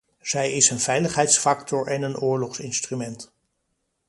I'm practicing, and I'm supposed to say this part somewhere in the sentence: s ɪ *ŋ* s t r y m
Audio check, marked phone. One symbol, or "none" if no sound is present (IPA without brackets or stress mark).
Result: n